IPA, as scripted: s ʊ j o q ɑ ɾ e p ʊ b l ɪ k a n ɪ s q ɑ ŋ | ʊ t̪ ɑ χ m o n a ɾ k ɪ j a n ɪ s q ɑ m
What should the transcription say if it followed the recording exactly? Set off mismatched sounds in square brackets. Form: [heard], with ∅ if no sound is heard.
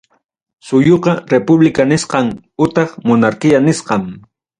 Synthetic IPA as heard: s ʊ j o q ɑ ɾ e p ʊ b l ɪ k a n ɪ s q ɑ ŋ | ʊ t̪ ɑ χ m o n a ɾ k ɪ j a n ɪ s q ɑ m

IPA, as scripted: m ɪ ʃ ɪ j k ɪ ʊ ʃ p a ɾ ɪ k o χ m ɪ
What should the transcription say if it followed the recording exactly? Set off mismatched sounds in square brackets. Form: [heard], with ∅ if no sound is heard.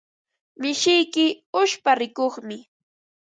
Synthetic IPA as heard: m ɪ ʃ ɪ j k ɪ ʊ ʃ p a ɾ ɪ k o χ m ɪ

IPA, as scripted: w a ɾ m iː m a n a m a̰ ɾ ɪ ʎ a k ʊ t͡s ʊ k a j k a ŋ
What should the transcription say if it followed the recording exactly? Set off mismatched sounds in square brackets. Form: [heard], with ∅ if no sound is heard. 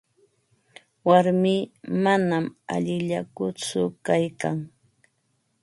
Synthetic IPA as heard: w a ɾ m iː m a n a m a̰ [ʎ] ɪ ʎ a k ʊ t͡s ʊ k a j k a ŋ

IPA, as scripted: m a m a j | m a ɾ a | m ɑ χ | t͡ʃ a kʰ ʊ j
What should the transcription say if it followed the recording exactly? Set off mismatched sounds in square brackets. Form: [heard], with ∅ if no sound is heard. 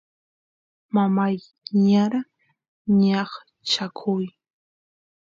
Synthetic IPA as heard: m a m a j | [ɲ] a ɾ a | [ɲ] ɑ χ | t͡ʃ a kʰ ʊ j

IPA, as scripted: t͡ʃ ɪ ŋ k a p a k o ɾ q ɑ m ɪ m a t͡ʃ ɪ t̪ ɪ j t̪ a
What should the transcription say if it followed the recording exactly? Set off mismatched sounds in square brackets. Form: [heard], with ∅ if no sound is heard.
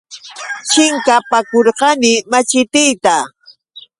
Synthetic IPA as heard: t͡ʃ ɪ ŋ k a p a k o ɾ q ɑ [n] ɪ m a t͡ʃ ɪ t̪ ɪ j t̪ a

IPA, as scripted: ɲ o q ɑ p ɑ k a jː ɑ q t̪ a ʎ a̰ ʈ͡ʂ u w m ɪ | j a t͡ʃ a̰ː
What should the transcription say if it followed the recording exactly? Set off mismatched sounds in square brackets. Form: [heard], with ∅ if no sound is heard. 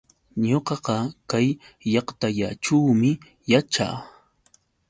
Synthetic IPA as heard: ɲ o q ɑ [q] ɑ k a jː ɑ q t̪ a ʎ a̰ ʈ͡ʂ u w m ɪ | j a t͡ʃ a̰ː

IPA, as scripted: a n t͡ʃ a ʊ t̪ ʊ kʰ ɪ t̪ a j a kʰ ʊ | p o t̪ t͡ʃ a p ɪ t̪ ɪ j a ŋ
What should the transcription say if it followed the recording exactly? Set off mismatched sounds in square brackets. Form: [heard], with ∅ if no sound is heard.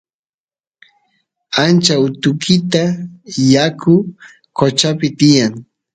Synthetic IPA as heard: a n t͡ʃ a ʊ t̪ ʊ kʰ ɪ t̪ a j a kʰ ʊ | [k] o [∅] t͡ʃ a p ɪ t̪ ɪ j a ŋ

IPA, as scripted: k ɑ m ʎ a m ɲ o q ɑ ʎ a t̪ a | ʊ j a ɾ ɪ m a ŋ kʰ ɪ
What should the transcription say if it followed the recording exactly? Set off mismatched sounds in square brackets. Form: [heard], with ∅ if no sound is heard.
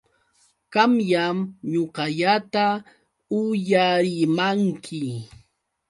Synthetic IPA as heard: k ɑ m [j] a m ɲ o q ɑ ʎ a t̪ a | ʊ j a ɾ ɪ m a ŋ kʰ ɪ

